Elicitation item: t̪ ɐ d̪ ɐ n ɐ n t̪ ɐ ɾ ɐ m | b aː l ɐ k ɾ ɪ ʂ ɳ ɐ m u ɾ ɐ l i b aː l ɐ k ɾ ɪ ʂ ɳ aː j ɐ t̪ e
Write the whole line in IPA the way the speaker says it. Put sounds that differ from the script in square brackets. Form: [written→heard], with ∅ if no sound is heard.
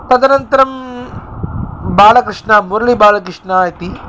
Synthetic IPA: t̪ ɐ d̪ ɐ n ɐ n t̪ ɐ ɾ ɐ m | b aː l ɐ k ɾ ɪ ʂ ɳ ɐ m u ɾ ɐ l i b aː l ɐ k ɾ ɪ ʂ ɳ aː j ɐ t̪ [e→i]